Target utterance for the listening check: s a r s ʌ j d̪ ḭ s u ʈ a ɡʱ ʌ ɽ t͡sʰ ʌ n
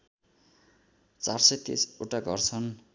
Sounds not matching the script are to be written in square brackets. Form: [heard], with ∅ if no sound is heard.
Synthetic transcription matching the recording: [t͡s] a r s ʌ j [t̪] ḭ s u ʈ a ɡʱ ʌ [r] t͡sʰ ʌ n